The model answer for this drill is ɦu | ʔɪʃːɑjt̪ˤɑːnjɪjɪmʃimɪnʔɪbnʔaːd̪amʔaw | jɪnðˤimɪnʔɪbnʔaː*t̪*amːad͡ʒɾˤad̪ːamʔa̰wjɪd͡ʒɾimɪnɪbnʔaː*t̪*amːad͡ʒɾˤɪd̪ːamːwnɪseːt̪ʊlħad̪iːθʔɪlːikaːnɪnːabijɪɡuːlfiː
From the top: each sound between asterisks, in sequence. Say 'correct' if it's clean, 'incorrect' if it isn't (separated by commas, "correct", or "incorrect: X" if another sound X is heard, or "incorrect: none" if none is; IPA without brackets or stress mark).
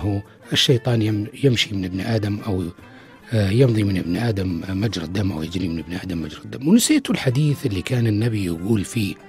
incorrect: d̪, incorrect: d̪